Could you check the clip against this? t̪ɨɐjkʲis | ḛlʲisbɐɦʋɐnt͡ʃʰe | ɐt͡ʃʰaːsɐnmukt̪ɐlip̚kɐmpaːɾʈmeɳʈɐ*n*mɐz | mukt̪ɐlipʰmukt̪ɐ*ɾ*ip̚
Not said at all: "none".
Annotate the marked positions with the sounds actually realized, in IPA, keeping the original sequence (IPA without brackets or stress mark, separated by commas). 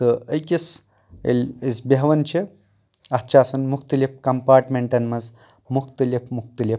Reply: n, l